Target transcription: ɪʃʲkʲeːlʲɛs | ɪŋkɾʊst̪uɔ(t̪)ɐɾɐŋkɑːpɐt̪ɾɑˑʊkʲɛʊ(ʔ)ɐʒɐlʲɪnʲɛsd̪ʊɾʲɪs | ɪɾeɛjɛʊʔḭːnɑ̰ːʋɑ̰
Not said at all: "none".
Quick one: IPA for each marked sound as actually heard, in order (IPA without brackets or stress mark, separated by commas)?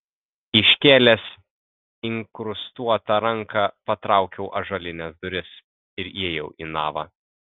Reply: t̪, ʔ